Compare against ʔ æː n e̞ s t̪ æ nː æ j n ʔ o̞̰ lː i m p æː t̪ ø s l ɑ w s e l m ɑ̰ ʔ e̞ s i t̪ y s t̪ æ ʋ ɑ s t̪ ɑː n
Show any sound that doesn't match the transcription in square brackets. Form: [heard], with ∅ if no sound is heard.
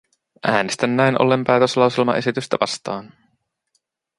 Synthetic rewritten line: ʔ æː n e̞ s t̪ æ nː æ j n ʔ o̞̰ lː [e] m p æː t̪ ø s l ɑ w s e l m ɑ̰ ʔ e̞ s i t̪ y s t̪ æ ʋ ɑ s t̪ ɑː n

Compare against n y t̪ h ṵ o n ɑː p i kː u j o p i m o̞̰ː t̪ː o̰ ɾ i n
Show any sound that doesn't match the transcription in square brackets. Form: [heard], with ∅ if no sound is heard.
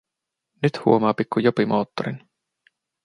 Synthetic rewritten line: n y t̪ h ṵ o [m] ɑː p i kː u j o p i m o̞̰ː t̪ː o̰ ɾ i n

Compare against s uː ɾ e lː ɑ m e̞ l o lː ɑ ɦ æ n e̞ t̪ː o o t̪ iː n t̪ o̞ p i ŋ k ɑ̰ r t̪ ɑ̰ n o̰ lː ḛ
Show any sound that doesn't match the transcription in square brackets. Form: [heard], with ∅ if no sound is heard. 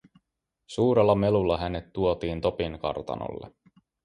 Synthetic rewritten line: s uː ɾ e lː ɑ m e̞ l [u] lː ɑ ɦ æ n e̞ t̪ː [u] o t̪ iː n t̪ o̞ p i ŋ k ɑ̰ r t̪ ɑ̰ n o̰ lː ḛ

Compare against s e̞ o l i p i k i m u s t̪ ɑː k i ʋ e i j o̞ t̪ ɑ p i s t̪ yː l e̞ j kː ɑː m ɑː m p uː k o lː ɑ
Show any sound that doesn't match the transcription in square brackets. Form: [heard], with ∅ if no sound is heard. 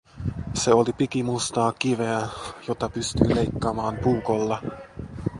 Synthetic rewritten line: s e̞ o l i p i k i m u s t̪ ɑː k i ʋ e [æ] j o̞ t̪ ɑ p [y] s t̪ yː l e̞ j kː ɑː m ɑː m p uː k o lː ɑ

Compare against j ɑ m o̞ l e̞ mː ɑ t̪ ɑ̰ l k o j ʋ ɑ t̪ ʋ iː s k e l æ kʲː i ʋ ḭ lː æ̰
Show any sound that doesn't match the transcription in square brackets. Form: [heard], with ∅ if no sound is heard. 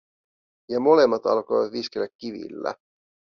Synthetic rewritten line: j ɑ m o̞ l e̞ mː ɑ t̪ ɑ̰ l k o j ʋ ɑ t̪ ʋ [i] s k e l æ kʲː i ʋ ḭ lː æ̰

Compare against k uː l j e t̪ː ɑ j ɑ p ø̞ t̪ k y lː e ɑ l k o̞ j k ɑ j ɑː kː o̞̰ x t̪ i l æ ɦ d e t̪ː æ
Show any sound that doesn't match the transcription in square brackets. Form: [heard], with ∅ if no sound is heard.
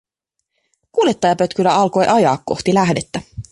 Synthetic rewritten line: k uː l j e t̪ː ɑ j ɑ p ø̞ t̪ k y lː [æ] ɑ l k o̞ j [ʔ] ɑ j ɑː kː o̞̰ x t̪ i l æ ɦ d e t̪ː æ

